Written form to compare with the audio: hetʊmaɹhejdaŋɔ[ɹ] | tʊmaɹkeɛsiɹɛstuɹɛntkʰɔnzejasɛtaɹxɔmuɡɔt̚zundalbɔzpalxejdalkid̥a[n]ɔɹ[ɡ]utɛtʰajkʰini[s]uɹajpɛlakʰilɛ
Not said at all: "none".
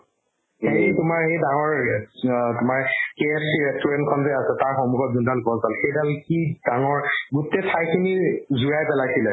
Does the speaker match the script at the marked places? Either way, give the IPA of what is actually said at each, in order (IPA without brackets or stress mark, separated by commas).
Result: ɹ, ŋ, ɡ, z